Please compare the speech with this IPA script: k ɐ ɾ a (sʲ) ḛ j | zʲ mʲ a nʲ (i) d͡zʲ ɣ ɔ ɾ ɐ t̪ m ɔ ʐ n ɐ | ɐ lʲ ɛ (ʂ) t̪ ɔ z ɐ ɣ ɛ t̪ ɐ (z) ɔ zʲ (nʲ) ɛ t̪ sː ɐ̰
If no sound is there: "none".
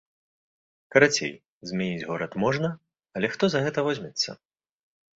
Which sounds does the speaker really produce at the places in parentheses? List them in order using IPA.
t͡sʲ, i, x, v, mʲ

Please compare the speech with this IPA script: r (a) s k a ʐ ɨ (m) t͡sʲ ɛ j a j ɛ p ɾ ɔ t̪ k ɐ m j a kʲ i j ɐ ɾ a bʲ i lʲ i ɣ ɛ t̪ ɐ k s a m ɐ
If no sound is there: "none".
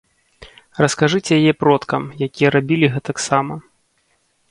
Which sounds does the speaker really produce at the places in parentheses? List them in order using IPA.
ɐ, none

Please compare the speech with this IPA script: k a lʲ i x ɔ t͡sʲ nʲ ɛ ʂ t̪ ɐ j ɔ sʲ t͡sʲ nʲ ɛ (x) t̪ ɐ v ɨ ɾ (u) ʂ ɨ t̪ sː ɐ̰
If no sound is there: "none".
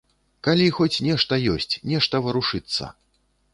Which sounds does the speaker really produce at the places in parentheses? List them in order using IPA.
ʂ, u

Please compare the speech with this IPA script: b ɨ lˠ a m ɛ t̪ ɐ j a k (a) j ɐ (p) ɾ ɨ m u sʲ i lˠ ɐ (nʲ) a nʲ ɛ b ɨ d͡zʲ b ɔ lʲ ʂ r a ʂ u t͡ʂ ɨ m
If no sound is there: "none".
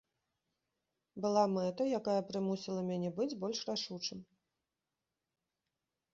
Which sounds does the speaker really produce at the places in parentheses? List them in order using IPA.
a, p, mʲ

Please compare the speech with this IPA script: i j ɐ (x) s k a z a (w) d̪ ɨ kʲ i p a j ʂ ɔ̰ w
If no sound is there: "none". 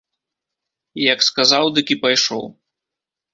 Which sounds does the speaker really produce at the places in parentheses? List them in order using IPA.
k, w

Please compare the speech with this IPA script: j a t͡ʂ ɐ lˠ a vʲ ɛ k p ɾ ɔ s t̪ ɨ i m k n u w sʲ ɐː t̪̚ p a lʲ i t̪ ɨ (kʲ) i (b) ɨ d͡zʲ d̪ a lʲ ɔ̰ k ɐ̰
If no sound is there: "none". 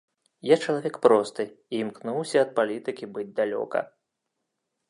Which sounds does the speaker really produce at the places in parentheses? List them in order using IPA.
kʲ, b

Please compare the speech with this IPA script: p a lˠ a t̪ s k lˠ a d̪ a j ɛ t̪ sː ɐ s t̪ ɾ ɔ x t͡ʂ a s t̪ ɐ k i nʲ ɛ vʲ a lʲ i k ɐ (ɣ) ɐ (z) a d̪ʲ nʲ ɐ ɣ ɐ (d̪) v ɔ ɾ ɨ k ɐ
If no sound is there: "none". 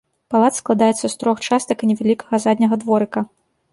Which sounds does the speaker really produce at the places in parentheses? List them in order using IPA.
ɣ, z, d̪

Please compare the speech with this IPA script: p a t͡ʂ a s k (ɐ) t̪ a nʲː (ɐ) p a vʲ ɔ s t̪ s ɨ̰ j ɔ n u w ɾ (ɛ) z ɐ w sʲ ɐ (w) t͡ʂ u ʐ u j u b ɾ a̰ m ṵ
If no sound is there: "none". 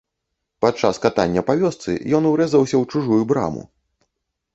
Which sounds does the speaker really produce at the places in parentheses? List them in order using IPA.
a, ɐ, ɛ, w

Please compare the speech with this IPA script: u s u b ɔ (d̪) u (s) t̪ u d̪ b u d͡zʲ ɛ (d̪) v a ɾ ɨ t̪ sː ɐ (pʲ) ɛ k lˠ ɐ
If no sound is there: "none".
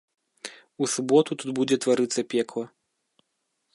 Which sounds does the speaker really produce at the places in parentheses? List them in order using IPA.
t̪, none, t̪, pʲ

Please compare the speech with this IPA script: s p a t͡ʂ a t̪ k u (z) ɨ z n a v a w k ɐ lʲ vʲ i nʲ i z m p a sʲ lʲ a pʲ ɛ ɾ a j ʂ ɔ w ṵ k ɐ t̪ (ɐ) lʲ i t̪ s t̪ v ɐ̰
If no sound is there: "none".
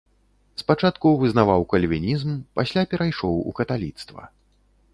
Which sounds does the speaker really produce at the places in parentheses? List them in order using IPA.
v, a

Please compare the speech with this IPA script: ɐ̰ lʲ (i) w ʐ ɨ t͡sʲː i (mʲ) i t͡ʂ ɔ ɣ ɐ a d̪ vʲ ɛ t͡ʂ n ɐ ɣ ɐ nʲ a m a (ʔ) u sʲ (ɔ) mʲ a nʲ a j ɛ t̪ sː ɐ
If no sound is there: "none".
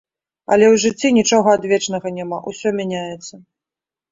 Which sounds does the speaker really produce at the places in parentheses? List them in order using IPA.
ɛ, nʲ, ʔ, ɔ

